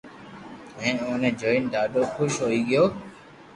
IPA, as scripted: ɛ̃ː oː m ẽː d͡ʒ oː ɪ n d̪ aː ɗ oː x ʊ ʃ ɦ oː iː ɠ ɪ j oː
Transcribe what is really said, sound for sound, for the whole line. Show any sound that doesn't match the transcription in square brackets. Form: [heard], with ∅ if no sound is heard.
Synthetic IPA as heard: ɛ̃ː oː [n] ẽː d͡ʒ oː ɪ n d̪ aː ɗ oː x ʊ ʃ ɦ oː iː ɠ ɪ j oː